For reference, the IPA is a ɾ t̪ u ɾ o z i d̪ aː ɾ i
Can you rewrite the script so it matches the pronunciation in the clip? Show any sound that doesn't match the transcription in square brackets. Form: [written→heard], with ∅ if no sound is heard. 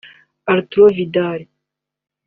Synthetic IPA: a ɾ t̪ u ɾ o [z→v] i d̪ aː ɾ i